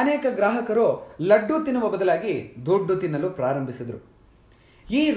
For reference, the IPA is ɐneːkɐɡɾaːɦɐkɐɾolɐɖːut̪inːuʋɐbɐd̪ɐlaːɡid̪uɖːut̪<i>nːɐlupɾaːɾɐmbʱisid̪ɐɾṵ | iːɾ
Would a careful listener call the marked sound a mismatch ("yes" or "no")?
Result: no